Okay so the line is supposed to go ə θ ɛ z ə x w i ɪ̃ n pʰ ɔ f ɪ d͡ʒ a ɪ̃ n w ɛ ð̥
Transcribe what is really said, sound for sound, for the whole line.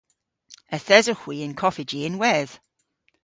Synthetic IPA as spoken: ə θ ɛ z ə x w i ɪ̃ n kʰ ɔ f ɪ d͡ʒ i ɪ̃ n w ɛ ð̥